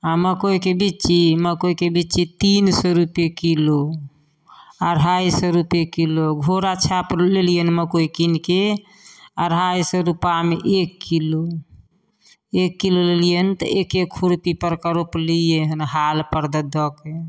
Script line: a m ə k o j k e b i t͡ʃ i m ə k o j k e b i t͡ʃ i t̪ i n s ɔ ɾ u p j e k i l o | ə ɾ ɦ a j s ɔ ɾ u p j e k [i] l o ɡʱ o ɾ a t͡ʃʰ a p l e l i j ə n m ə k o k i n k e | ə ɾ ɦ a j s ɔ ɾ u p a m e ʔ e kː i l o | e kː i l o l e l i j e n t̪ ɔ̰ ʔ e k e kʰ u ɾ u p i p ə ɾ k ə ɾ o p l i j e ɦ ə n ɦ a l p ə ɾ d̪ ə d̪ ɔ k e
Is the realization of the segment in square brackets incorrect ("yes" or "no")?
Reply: no